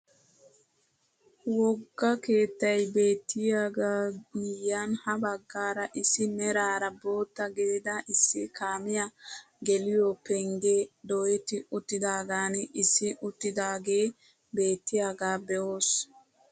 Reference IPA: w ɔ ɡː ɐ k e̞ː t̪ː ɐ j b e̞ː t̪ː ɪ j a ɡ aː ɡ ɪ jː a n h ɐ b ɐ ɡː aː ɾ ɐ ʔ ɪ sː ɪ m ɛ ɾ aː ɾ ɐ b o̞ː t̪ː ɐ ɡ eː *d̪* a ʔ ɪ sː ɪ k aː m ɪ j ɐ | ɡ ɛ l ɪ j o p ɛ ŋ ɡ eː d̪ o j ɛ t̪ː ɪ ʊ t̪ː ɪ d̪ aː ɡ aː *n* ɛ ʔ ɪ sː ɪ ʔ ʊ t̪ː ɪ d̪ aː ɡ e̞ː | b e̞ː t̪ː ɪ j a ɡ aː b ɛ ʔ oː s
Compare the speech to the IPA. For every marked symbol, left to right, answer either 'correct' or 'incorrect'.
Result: correct, correct

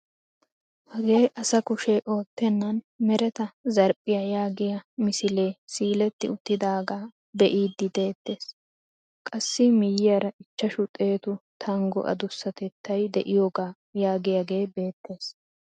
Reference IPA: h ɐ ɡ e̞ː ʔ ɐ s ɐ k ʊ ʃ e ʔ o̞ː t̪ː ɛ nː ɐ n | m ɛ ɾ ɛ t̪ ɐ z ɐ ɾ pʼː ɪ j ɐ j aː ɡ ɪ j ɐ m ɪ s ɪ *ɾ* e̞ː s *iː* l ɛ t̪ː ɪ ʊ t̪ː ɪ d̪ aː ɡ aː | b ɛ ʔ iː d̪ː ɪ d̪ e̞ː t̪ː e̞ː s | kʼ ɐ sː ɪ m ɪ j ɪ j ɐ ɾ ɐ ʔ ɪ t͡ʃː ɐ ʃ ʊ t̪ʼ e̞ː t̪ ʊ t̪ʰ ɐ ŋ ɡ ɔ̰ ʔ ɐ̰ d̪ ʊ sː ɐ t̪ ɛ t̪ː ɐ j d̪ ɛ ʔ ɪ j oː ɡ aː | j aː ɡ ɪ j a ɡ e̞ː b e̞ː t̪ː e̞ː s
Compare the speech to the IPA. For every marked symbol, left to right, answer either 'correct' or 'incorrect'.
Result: incorrect: l, correct

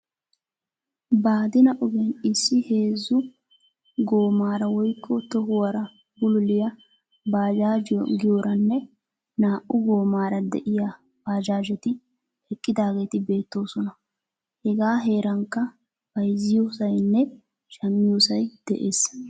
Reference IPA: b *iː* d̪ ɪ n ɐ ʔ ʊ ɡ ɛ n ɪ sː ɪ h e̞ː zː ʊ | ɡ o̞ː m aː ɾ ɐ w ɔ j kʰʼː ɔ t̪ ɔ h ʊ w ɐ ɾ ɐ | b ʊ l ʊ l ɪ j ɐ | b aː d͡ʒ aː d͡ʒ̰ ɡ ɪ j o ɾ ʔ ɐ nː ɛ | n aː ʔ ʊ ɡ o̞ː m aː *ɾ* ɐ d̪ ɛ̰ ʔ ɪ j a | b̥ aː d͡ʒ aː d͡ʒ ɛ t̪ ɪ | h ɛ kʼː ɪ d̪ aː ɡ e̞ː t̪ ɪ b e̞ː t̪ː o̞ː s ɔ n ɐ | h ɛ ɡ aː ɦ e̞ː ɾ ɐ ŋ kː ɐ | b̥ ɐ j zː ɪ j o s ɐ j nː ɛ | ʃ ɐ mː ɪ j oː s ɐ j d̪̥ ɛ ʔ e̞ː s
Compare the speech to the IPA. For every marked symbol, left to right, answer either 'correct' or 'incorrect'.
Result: incorrect: aː, correct

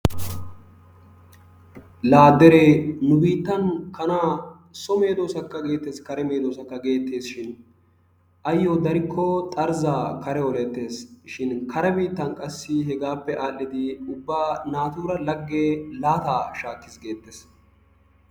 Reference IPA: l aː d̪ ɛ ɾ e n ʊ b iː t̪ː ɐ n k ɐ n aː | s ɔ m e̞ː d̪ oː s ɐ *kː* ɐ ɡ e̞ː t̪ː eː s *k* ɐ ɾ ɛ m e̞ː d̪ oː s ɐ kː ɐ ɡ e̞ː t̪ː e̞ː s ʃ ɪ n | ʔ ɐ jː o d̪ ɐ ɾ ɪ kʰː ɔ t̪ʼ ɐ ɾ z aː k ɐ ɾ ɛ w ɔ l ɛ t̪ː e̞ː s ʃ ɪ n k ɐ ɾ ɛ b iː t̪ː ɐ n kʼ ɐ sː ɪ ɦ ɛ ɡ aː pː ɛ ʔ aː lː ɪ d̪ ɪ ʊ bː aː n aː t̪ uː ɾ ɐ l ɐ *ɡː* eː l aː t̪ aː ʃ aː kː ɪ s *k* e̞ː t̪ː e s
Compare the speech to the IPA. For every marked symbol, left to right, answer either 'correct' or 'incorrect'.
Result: correct, correct, correct, incorrect: ɡ

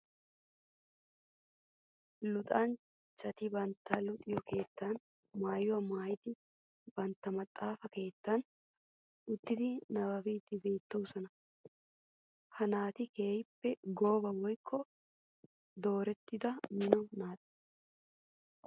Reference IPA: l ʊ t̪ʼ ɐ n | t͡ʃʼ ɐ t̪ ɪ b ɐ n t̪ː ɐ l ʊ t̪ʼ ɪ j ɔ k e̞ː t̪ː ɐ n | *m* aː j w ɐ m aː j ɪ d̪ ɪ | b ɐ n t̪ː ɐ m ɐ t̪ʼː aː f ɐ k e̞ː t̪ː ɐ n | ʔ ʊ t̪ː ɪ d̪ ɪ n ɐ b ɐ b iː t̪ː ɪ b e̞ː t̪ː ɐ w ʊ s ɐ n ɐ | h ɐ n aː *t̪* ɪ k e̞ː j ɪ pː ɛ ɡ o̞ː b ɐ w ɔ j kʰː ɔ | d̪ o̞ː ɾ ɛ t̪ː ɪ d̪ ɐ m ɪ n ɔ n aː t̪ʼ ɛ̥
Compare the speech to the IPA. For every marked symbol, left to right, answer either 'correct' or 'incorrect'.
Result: correct, correct

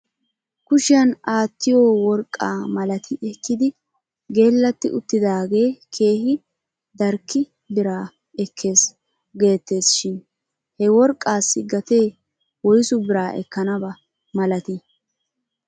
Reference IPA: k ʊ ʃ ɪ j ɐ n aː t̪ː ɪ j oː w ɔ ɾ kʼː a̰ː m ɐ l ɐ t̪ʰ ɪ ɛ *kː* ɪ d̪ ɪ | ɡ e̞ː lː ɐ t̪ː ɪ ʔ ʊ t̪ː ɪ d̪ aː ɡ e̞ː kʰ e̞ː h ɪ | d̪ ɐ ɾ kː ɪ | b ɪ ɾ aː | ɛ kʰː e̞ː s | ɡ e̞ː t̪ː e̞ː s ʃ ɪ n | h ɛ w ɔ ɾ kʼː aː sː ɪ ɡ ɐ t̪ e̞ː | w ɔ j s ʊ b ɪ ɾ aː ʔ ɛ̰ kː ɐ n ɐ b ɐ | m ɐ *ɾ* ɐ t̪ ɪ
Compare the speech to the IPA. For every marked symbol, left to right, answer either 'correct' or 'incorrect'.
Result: correct, incorrect: l

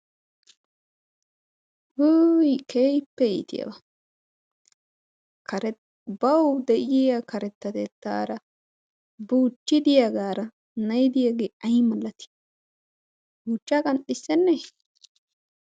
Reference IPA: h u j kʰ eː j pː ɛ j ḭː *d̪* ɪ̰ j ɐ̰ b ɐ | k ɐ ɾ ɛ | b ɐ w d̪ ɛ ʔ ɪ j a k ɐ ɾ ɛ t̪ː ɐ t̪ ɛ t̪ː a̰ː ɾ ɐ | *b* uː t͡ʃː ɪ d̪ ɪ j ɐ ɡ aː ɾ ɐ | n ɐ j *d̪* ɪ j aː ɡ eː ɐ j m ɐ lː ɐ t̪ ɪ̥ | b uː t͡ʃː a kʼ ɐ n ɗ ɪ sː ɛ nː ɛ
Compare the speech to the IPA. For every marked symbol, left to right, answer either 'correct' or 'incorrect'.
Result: incorrect: t̪, correct, correct

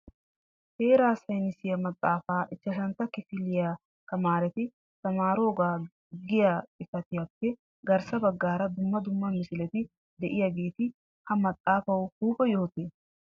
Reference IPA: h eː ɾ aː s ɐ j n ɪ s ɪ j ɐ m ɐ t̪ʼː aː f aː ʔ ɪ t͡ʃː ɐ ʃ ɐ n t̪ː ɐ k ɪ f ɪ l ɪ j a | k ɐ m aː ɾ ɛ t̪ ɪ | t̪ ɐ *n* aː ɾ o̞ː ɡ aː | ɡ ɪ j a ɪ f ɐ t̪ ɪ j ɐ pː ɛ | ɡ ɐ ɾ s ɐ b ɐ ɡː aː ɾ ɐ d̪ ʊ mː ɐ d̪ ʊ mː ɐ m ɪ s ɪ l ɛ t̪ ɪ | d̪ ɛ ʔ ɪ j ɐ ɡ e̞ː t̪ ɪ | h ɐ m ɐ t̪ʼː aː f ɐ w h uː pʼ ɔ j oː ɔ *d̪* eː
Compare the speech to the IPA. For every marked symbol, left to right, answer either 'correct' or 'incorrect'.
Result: incorrect: m, incorrect: t̪

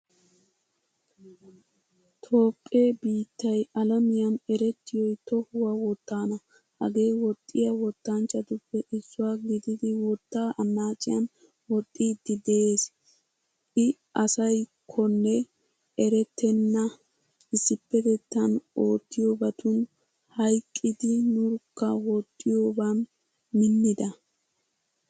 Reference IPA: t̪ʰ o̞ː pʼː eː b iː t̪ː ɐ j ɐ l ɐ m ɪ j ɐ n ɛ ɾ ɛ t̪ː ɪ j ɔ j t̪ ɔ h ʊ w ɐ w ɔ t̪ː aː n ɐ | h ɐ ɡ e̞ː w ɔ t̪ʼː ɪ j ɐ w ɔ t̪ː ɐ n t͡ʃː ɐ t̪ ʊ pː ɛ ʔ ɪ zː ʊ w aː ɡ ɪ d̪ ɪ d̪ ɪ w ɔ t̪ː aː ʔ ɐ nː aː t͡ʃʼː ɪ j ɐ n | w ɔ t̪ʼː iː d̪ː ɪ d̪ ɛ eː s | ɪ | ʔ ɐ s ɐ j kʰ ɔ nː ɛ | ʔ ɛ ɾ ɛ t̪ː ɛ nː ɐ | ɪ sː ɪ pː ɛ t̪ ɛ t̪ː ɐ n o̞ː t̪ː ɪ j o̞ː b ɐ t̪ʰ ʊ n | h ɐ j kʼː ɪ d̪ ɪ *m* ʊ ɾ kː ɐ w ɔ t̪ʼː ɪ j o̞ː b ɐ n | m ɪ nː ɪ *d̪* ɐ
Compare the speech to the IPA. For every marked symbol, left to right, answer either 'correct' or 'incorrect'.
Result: incorrect: n, correct

